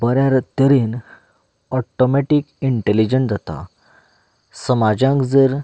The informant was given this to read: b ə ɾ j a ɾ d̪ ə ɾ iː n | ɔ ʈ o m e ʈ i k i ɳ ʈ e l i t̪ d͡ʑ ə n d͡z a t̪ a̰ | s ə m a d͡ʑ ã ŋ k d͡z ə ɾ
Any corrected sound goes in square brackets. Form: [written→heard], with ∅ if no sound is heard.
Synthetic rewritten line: b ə ɾ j a ɾ [d̪→t̪] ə ɾ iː n | ɔ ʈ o m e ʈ i k i ɳ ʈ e l i [t̪→∅] d͡ʑ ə n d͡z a t̪ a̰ | s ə m a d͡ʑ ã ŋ k d͡z ə ɾ